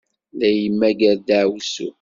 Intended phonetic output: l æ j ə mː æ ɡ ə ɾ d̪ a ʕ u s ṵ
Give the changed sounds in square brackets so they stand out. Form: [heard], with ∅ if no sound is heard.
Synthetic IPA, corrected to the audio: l æ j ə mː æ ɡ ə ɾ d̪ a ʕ [w] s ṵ